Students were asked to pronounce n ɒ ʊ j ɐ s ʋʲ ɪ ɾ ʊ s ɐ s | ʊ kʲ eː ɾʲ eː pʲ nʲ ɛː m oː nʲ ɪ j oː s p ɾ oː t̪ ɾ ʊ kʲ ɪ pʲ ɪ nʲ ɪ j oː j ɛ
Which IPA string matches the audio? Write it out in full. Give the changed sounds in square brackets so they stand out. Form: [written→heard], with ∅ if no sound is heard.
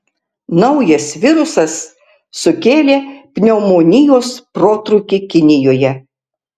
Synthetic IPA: n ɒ ʊ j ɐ s ʋʲ ɪ ɾ ʊ s ɐ [s→sː] | ʊ kʲ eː [ɾʲ→lʲ] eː pʲ nʲ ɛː m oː nʲ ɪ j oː s p ɾ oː t̪ ɾ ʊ kʲ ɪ [pʲ→kʲ] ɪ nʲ ɪ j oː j ɛ